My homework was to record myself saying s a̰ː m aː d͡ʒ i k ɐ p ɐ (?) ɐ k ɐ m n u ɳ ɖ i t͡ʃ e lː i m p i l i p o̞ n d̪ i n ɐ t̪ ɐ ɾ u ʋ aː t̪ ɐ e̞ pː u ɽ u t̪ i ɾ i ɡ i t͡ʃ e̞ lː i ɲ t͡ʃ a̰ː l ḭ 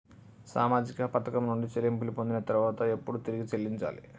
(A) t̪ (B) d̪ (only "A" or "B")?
A